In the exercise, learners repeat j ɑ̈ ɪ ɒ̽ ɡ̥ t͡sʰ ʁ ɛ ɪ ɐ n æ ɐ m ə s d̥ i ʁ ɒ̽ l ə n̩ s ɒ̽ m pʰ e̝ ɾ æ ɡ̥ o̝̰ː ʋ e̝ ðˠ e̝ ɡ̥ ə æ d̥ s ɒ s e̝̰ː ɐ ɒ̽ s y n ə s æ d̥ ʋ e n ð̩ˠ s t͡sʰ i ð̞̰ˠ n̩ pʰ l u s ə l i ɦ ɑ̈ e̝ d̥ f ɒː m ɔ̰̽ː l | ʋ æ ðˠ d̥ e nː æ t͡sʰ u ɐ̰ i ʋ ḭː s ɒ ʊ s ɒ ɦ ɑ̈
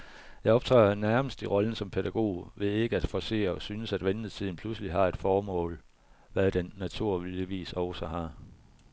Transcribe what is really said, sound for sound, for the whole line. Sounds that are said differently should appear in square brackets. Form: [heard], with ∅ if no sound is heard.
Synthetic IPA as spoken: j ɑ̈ ɪ ɒ̽ [b̥] t͡sʰ ʁ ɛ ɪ ɐ n æ ɐ m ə s d̥ i ʁ ɒ̽ l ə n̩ s ɒ̽ m pʰ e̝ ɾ æ ɡ̥ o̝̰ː ʋ e̝ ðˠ e̝ ɡ̥ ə æ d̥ [f] ɒ s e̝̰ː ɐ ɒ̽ s y n ə s æ d̥ ʋ e n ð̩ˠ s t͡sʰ i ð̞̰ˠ n̩ pʰ l u s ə l i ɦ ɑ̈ e̝ d̥ f ɒː m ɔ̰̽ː l | ʋ æ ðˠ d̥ e nː æ t͡sʰ u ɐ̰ i ʋ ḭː s ɒ ʊ s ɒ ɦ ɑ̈

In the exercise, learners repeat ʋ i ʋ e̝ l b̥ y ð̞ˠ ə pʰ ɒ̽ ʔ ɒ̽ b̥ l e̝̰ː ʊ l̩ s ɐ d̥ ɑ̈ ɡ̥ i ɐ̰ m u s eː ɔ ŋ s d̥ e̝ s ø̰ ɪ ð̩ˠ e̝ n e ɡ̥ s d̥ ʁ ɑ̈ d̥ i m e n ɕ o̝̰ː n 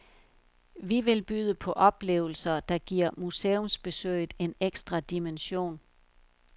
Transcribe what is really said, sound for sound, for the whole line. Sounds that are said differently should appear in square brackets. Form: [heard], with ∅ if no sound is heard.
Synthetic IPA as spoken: ʋ i ʋ e̝ l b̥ y ð̞ˠ ə pʰ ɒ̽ ʔ ɒ̽ b̥ l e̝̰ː ʊ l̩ s ɐ d̥ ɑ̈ ɡ̥ i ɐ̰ m u s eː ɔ [m] s [b̥] e̝ s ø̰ ɪ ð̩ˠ e̝ n e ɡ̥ s d̥ ʁ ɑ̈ d̥ i m e n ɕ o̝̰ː n

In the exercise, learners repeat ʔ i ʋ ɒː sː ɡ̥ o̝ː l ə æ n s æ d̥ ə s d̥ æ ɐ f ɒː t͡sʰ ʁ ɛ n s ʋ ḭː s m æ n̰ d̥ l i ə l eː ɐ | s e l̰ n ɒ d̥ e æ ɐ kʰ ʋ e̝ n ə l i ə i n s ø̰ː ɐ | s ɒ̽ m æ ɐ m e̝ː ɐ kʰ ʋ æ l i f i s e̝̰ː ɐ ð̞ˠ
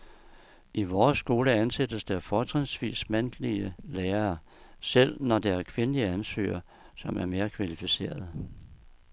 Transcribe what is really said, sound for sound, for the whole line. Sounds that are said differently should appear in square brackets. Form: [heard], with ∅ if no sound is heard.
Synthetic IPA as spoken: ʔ i ʋ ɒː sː ɡ̥ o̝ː l ə æ n s [e] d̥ ə s d̥ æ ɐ f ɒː t͡sʰ ʁ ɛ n s ʋ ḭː s m æ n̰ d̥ l i ə l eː ɐ | s e l̰ n ɒ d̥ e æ ɐ kʰ ʋ e̝ n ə l i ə [æ] n s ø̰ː ɐ | s ɒ̽ m æ ɐ m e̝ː ɐ kʰ ʋ æ l i f i s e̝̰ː ɐ ð̞ˠ

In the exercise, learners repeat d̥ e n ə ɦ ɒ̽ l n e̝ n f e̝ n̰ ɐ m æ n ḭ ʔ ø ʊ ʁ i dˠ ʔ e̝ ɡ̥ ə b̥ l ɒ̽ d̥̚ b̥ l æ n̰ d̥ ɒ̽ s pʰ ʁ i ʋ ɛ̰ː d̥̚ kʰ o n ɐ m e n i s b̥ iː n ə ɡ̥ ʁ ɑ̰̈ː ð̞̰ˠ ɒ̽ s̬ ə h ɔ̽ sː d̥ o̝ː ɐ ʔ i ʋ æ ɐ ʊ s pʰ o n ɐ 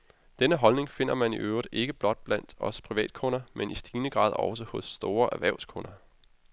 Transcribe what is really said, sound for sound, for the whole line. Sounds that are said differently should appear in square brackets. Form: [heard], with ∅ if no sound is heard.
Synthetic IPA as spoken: d̥ e n ə ɦ ɒ̽ l n e̝ [ŋ] f e̝ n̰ ɐ m æ n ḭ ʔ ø ʊ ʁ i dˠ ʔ e̝ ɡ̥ ə b̥ l ɒ̽ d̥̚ b̥ l æ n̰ d̥ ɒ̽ s pʰ ʁ i ʋ ɛ̰ː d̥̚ kʰ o n ɐ m e n i s [d̥] iː n ə ɡ̥ ʁ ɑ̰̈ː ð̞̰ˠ ɒ̽ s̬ ə h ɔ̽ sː d̥ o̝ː ɐ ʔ [æ] ʋ æ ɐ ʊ s [kʰ] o n ɐ

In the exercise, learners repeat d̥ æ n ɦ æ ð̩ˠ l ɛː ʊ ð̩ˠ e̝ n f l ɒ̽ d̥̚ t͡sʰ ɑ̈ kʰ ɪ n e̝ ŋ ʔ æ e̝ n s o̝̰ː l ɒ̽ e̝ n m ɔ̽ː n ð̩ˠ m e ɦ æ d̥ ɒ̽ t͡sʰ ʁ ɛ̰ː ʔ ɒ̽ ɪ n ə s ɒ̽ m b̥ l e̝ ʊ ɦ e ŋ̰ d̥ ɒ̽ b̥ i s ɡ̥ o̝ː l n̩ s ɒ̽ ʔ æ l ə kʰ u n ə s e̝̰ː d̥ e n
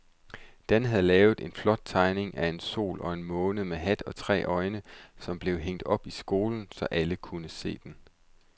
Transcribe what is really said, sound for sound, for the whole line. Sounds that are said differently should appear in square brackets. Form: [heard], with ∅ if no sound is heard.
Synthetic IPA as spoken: d̥ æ n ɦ æ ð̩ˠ l ɛː ʊ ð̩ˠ e̝ n f l ɒ̽ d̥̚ t͡sʰ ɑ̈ [∅] ɪ n e̝ ŋ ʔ æ e̝ n s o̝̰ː l ɒ̽ e̝ n m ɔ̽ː n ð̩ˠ m e ɦ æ d̥ ɒ̽ t͡sʰ ʁ ɛ̰ː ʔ ɒ̽ ɪ n ə s ɒ̽ m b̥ l e̝ ʊ ɦ e ŋ̰ d̥ ɒ̽ b̥ i s ɡ̥ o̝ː l n̩ s ɒ̽ ʔ æ l ə kʰ u n ə s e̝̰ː d̥ e n

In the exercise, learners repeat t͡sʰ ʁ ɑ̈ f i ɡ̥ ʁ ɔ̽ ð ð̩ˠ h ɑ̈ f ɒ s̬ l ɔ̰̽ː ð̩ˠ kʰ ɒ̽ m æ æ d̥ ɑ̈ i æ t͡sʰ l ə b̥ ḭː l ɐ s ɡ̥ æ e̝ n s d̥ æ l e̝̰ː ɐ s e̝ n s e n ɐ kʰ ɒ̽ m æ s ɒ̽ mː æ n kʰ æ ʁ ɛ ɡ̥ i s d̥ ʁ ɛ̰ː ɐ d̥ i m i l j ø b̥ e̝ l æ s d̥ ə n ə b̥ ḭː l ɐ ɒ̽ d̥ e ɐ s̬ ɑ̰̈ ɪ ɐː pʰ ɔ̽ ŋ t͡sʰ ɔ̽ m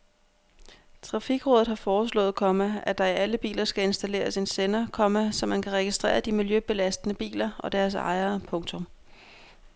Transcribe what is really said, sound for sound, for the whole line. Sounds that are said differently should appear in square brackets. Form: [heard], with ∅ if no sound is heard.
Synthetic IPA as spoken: t͡sʰ ʁ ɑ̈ f i ɡ̥ ʁ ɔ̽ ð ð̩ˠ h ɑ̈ f [ɒː] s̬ l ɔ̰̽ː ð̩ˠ kʰ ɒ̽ m æ æ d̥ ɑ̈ i æ [∅] l ə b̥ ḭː l ɐ s ɡ̥ æ e̝ n s d̥ æ l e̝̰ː ɐ s e̝ n s e n ɐ kʰ ɒ̽ m æ s ɒ̽ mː æ n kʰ æ ʁ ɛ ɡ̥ i s d̥ ʁ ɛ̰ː ɐ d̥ i m i l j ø b̥ e̝ l æ s d̥ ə n ə b̥ ḭː l ɐ ɒ̽ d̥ [æ] ɐ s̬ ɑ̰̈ ɪ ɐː pʰ ɔ̽ ŋ t͡sʰ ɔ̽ m

